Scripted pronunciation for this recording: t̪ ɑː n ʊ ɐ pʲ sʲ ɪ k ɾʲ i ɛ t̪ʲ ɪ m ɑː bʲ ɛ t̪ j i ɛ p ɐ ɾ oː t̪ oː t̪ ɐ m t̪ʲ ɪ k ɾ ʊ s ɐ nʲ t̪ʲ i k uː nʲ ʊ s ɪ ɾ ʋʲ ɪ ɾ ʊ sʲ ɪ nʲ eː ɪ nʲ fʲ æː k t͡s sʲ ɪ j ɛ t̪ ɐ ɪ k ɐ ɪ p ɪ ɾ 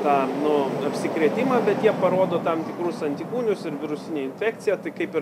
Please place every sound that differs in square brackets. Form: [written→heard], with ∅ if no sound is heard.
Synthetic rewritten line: t̪ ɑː n ʊ ɐ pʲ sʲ ɪ k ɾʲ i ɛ t̪ʲ ɪ m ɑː bʲ ɛ t̪ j i ɛ p ɐ ɾ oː [t̪→d̪] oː t̪ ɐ m t̪ʲ ɪ k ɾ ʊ s ɐ nʲ t̪ʲ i k uː nʲ ʊ s ɪ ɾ ʋʲ ɪ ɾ ʊ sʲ ɪ nʲ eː ɪ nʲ fʲ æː k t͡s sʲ ɪ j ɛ t̪ ɐ ɪ k ɐ ɪ p ɪ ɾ